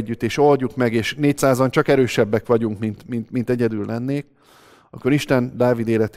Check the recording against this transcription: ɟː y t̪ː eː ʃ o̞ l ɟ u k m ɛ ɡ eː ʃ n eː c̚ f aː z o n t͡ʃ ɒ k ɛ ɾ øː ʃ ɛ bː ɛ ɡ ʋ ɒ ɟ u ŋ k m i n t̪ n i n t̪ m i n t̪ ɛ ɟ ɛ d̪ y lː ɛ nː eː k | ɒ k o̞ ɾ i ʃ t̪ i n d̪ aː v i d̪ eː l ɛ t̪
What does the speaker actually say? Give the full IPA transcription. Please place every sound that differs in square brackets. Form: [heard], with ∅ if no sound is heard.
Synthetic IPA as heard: ɟː y t̪ː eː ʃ o̞ l ɟ u k m ɛ ɡ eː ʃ n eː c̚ [s] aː z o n t͡ʃ ɒ k ɛ ɾ øː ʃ ɛ bː ɛ [k] ʋ ɒ ɟ u ŋ k m i n t̪ [m] i n t̪ m i n t̪ ɛ ɟ ɛ d̪ y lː ɛ nː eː k | ɒ k o̞ ɾ i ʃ t̪ [ɛ] n d̪ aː v i d̪ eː l ɛ t̪